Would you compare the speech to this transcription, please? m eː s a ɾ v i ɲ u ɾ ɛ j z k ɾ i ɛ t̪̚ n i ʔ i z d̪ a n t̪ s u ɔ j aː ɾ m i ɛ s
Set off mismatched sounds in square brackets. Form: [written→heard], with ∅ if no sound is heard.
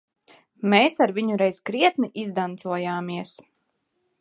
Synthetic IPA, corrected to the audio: m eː s a ɾ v i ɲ u ɾ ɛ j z k ɾ i ɛ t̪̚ n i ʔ i z d̪ a n t̪ s u ɔ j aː [ɾ→∅] m i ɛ s

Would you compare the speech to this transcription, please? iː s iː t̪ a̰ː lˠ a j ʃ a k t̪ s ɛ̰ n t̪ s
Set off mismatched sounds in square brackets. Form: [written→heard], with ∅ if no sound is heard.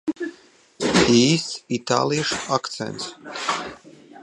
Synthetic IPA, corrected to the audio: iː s [iː→i] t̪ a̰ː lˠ [a→i] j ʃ a k t̪ s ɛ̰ n t̪ s

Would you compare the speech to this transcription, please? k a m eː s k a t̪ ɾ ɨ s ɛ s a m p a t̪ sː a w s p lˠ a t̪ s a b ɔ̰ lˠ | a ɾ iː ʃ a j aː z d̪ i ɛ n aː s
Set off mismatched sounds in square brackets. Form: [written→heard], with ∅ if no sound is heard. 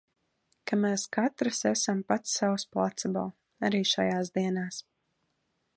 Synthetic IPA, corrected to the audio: k a m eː s k a t̪ ɾ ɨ s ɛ s a m p a t̪ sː a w s p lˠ a t̪ s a b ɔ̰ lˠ | a ɾ iː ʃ a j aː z d̪ i ɛ n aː s

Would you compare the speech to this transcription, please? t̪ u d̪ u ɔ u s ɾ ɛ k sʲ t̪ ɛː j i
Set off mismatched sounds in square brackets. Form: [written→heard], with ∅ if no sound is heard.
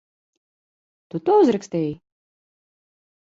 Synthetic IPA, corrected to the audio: t̪ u [d̪→t̪] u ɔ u [s→z] ɾ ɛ k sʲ t̪ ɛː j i

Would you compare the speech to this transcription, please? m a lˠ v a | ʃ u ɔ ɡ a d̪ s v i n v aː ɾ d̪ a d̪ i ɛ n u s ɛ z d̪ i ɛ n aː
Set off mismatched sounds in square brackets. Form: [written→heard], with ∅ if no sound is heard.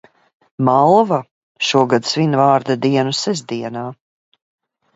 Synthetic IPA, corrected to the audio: m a lˠ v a | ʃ u ɔ ɡ a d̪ s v i n v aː ɾ d̪ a d̪ i ɛ n u s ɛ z d̪ i ɛ n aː

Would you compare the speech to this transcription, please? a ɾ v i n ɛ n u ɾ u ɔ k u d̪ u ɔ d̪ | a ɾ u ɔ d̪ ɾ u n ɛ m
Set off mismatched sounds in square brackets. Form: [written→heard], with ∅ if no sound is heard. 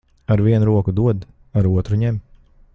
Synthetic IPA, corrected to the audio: a ɾ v i [n→∅] ɛ n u ɾ u ɔ k u d̪ u ɔ d̪ | a ɾ u ɔ [d̪→t̪] ɾ u [n→ɲ] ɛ m

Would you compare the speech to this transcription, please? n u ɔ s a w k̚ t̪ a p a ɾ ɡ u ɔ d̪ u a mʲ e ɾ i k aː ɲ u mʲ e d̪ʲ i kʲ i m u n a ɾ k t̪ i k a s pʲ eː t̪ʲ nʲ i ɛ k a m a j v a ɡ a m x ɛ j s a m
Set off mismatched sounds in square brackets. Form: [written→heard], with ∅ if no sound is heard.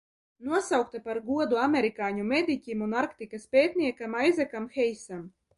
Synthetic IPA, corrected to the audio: n u ɔ s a w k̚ t̪ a p a ɾ ɡ u ɔ d̪ u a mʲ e ɾ i k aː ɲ u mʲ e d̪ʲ i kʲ i m u n a ɾ k t̪ i k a s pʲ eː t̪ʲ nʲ i ɛ k a m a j [v→z] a [ɡ→k] a m x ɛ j s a m

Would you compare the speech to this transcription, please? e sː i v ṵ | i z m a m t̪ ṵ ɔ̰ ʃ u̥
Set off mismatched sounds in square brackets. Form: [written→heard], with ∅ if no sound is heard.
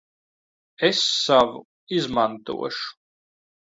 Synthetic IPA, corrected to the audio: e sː [i→a] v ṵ | i z m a [m→n] t̪ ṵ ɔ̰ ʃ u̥

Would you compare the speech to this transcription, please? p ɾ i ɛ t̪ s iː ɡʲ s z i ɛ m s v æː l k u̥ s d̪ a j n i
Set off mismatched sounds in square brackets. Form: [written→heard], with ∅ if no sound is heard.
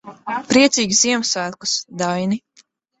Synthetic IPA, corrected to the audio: p ɾ i ɛ t̪ s iː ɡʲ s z i ɛ m s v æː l k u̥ s d̪ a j n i

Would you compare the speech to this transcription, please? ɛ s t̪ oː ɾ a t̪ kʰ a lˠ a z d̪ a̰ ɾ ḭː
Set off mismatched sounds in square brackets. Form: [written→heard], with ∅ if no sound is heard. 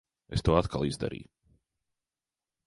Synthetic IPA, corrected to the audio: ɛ s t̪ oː [ɾ→∅] a t̪ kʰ a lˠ [a→i] z d̪ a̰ ɾ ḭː

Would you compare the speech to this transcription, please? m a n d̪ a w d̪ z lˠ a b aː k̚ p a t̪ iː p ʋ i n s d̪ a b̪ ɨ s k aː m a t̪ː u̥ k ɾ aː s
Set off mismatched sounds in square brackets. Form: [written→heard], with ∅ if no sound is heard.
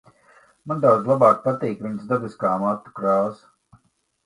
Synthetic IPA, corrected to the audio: m a n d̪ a w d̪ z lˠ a b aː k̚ p a t̪ iː [p→k] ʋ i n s d̪ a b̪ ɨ s k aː m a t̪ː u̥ k ɾ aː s

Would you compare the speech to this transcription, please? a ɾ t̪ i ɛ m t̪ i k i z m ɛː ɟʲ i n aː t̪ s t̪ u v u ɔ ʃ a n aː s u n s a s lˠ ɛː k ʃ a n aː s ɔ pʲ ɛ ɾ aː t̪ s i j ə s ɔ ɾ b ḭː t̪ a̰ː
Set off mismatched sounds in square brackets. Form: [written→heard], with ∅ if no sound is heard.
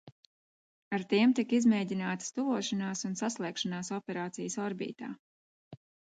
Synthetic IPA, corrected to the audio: a ɾ t̪ i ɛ m t̪ i k i z m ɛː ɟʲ i n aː t̪ s t̪ u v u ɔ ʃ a n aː s u n s a s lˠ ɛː k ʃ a n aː s ɔ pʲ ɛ ɾ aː t̪ s i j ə s ɔ ɾ b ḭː t̪ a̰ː

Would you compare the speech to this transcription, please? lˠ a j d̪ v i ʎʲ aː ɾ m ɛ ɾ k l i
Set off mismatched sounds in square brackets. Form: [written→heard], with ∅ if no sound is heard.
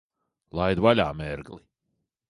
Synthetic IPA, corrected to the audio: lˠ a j d̪ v [i→a] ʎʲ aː [ɾ→∅] m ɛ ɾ [k→ɡ] l i

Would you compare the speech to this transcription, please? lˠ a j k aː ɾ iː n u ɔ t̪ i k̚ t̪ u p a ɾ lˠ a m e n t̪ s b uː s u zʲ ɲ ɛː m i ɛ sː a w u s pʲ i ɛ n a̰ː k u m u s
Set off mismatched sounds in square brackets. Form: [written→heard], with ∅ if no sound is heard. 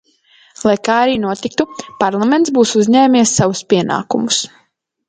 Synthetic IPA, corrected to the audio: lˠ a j k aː ɾ iː n u ɔ t̪ i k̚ t̪ u p a ɾ lˠ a m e n t̪ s b uː s u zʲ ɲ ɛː m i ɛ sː a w u s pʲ i ɛ n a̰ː k u m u s

